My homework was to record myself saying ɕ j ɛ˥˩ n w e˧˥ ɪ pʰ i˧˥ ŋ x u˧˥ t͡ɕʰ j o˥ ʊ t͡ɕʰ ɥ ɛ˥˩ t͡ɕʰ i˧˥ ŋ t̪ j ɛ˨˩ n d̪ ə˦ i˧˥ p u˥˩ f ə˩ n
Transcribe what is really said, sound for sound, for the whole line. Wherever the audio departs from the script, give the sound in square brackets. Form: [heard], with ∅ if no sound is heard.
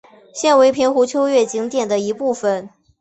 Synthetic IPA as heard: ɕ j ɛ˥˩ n w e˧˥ ɪ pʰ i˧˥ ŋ x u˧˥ t͡ɕʰ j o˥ ʊ [∅] ɥ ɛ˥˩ [t͡ɕ] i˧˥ ŋ t̪ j ɛ˨˩ n d̪ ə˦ i˧˥ p u˥˩ f ə˩ n